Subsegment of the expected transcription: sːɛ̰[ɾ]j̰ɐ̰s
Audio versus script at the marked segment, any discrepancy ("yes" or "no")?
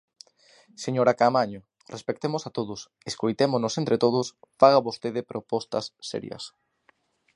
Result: no